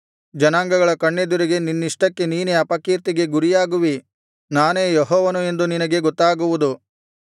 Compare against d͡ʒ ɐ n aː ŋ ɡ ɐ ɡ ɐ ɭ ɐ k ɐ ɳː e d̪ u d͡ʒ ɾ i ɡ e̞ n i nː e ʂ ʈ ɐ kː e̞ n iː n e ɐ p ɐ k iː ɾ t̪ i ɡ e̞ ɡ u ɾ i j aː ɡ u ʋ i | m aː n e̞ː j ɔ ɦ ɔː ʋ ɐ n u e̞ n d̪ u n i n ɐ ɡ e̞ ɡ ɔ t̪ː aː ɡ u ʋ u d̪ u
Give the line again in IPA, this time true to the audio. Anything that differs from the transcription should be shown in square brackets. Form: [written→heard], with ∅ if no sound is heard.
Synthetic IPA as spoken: d͡ʒ ɐ n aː ŋ ɡ ɐ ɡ ɐ ɭ ɐ k ɐ ɳː e d̪ u [d͡ʒ→∅] ɾ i ɡ e̞ n i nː [e→i] ʂ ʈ ɐ kː e̞ n iː n e ɐ p ɐ k iː ɾ t̪ i ɡ e̞ ɡ u ɾ i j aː ɡ u ʋ i | [m→n] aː n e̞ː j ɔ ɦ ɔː ʋ ɐ n u e̞ n d̪ u n i n ɐ ɡ e̞ ɡ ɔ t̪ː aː ɡ u ʋ u d̪ u

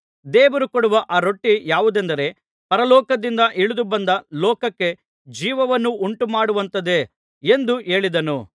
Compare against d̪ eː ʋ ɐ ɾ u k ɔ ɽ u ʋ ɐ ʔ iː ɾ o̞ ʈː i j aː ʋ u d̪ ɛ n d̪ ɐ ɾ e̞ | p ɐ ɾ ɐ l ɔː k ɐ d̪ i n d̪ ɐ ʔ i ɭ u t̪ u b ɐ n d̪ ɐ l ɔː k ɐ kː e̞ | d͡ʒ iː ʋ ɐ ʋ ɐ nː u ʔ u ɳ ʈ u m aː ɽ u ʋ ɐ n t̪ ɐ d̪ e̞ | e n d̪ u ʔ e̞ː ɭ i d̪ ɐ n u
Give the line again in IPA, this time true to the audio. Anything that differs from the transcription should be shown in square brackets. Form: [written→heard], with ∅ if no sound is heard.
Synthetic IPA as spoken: d̪ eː ʋ ɐ ɾ u k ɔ ɽ u ʋ ɐ ʔ [iː→aː] ɾ o̞ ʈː i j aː ʋ u d̪ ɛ n d̪ ɐ ɾ e̞ | p ɐ ɾ ɐ l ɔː k ɐ d̪ i n d̪ ɐ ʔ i ɭ u [t̪→d̪] u b ɐ n d̪ ɐ l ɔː k ɐ kː e̞ | d͡ʒ iː ʋ ɐ ʋ ɐ nː u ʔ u ɳ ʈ u m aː ɽ u ʋ ɐ n t̪ ɐ d̪ e̞ | e n d̪ u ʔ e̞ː ɭ i d̪ ɐ n u

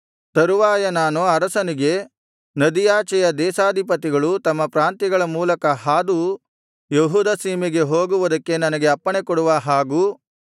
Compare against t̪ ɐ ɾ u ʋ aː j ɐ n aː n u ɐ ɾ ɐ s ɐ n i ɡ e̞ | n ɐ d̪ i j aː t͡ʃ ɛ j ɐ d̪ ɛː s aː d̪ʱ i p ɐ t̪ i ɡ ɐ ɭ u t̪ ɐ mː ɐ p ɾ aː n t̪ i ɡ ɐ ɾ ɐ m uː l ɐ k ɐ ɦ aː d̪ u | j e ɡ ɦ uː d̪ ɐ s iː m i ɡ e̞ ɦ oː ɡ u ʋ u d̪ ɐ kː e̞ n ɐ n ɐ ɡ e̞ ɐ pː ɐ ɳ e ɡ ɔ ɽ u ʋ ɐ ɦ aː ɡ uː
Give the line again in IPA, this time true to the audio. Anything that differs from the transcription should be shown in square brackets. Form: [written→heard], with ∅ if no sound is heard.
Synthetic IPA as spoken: t̪ ɐ ɾ u ʋ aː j ɐ n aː n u ɐ ɾ ɐ s ɐ n i ɡ e̞ | n ɐ d̪ i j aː t͡ʃ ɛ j ɐ d̪ ɛː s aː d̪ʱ i p ɐ t̪ i ɡ ɐ ɭ u t̪ ɐ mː ɐ p ɾ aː n t̪ i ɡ ɐ [ɾ→ɭ] ɐ m uː l ɐ k ɐ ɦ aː d̪ u | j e [ɡ→∅] ɦ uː d̪ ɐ s iː m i ɡ e̞ ɦ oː ɡ u ʋ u d̪ ɐ kː e̞ n ɐ n ɐ ɡ e̞ ɐ pː ɐ ɳ e [ɡ→k] ɔ ɽ u ʋ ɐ ɦ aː ɡ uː

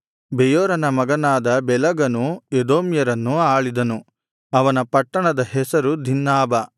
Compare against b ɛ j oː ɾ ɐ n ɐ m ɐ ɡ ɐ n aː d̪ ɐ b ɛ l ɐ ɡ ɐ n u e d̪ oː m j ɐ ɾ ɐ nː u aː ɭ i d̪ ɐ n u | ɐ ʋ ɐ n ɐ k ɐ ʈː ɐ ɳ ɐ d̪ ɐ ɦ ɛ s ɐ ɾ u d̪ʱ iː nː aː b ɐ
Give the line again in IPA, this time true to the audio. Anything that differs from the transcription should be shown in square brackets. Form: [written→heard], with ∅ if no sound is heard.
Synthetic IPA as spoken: b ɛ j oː ɾ ɐ n ɐ m ɐ ɡ ɐ n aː d̪ ɐ b ɛ l ɐ ɡ ɐ n u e d̪ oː m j ɐ ɾ ɐ nː u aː ɭ i d̪ ɐ n u | ɐ ʋ ɐ n ɐ [k→p] ɐ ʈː ɐ ɳ ɐ d̪ ɐ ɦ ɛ s ɐ ɾ u d̪ʱ [iː→i] nː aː b ɐ

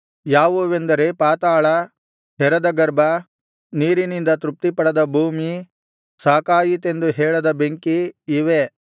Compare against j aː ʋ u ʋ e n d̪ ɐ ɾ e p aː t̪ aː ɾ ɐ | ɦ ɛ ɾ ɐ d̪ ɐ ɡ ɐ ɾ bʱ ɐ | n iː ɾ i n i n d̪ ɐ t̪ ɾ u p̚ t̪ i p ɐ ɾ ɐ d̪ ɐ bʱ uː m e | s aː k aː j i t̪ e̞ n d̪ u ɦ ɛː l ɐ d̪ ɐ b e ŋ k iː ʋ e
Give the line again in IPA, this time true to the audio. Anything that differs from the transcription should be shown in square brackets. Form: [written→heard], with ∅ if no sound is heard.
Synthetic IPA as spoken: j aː ʋ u ʋ e n d̪ ɐ ɾ e p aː t̪ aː [ɾ→ɭ] ɐ | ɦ ɛ ɾ ɐ d̪ ɐ ɡ ɐ ɾ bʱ ɐ | n iː ɾ i n i n d̪ ɐ t̪ ɾ u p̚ t̪ i p ɐ [ɾ→ɽ] ɐ d̪ ɐ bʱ uː m [e→i] | s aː k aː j i t̪ e̞ n d̪ u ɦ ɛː [l→ɭ] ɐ d̪ ɐ b e ŋ k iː ʋ e

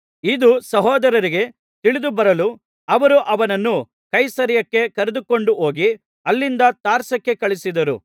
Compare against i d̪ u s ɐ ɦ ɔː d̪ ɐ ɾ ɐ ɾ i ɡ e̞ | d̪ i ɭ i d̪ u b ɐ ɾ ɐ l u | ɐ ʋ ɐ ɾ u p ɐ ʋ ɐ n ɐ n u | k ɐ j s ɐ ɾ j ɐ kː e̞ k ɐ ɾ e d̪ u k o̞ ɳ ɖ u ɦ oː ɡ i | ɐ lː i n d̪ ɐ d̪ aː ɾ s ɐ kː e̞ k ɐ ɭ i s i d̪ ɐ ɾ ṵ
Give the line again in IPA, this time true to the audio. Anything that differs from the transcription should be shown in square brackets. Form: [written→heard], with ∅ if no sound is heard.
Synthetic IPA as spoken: i d̪ u s ɐ ɦ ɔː d̪ ɐ ɾ ɐ ɾ i ɡ e̞ | [d̪→t̪] i ɭ i d̪ u b ɐ ɾ ɐ l u | ɐ ʋ ɐ ɾ u [p→ʔ] ɐ ʋ ɐ n ɐ [n→nː] u | k ɐ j s ɐ ɾ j ɐ kː e̞ k ɐ ɾ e d̪ u k o̞ ɳ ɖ u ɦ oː ɡ i | ɐ lː i n d̪ ɐ [d̪→t̪] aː ɾ s ɐ kː e̞ k ɐ ɭ i s i d̪ ɐ ɾ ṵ

